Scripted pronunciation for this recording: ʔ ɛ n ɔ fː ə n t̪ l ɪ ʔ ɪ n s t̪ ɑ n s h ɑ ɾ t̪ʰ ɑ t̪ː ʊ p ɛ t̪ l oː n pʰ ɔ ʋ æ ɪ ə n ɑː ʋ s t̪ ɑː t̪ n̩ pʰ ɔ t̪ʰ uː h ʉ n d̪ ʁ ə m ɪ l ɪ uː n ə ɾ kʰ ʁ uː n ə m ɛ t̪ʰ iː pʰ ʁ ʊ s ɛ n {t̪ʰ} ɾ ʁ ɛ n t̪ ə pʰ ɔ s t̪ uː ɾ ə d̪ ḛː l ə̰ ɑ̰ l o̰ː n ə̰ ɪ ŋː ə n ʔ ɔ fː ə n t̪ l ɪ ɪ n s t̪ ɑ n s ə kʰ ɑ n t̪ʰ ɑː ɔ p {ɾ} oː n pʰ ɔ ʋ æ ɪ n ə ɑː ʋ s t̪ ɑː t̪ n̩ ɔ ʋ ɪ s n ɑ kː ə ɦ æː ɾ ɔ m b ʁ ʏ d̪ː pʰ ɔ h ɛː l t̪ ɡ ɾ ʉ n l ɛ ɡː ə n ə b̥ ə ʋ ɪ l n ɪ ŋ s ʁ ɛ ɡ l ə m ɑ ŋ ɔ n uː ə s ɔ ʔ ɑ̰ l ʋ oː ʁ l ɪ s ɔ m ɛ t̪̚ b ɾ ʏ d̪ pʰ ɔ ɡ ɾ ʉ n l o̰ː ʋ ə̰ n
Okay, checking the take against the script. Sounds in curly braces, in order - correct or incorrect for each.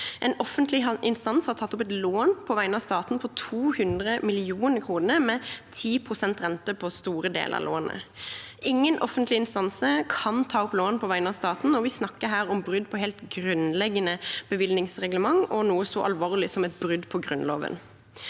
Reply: incorrect, incorrect

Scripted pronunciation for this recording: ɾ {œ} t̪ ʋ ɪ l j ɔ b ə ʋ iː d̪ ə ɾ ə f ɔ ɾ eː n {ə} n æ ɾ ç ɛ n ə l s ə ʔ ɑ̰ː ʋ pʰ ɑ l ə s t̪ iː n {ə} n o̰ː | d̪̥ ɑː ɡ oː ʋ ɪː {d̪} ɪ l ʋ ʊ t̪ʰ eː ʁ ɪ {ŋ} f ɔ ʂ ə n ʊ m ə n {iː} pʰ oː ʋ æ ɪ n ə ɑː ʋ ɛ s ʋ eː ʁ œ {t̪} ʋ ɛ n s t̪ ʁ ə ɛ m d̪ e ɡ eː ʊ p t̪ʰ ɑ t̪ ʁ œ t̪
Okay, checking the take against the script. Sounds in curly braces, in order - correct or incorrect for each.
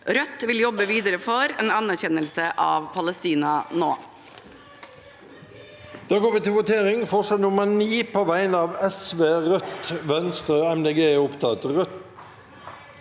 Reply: correct, incorrect, incorrect, incorrect, correct, correct, correct

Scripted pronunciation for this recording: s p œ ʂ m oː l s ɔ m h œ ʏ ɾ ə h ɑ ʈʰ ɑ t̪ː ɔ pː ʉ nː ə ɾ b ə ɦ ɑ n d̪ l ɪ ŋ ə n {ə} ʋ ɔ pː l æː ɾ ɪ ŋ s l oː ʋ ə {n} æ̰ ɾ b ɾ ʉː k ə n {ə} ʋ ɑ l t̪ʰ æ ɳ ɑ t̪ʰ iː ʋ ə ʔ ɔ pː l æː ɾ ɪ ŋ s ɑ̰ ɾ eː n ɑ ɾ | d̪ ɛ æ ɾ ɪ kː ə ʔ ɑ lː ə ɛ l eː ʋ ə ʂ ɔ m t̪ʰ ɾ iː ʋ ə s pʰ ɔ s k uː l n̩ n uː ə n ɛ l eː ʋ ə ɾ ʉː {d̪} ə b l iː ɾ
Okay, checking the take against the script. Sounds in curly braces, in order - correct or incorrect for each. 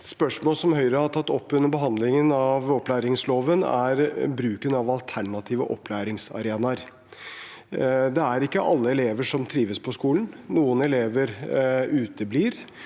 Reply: incorrect, correct, incorrect, incorrect

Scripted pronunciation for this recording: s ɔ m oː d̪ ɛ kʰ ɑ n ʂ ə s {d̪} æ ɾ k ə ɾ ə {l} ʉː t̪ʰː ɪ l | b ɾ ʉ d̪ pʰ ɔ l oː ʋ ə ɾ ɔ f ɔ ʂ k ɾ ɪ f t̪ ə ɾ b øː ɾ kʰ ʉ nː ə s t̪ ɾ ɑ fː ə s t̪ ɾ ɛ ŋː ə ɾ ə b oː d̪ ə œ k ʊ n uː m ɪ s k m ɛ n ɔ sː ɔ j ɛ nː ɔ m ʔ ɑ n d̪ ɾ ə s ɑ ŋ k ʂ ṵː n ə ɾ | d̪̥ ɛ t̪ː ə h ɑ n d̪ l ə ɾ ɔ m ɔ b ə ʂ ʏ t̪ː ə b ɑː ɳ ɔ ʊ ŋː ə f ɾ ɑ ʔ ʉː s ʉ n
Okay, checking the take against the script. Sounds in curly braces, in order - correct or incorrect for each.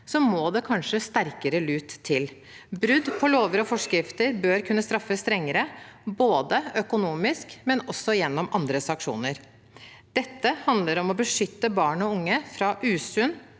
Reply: incorrect, correct

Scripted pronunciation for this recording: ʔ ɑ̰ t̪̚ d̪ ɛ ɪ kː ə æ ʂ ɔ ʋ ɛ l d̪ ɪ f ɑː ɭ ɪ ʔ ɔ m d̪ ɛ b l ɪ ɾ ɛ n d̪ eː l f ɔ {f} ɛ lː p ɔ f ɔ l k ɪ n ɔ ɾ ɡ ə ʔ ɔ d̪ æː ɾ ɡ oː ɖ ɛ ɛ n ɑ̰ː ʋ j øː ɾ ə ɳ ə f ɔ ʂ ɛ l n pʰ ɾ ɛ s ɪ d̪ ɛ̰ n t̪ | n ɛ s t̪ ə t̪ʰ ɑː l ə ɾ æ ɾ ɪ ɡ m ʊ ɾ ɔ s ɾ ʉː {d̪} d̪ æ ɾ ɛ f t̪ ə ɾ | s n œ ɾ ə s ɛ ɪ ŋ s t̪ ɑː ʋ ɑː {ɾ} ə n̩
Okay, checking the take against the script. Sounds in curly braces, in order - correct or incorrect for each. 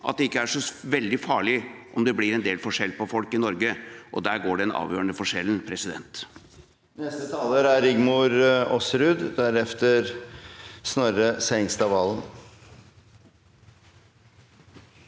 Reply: incorrect, correct, incorrect

